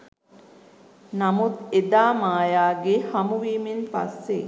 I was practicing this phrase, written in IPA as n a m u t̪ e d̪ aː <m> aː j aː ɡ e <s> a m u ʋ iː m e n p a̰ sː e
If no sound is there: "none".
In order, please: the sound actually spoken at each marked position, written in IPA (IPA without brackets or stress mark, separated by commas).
m, h